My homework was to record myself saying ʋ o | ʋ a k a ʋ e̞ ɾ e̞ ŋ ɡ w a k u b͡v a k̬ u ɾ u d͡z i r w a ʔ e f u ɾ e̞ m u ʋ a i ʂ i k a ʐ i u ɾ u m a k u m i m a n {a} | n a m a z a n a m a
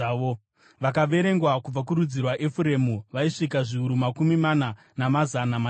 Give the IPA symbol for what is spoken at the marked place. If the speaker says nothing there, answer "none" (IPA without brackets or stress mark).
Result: a